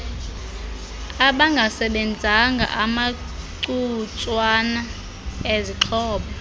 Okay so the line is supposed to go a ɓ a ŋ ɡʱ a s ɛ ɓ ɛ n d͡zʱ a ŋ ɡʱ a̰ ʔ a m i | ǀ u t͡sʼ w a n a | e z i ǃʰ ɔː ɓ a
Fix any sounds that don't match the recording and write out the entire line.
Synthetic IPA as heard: a ɓ a ŋ ɡʱ a s ɛ ɓ ɛ n d͡zʱ a ŋ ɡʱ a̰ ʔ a m a | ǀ u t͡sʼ w a n a | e z i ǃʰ ɔː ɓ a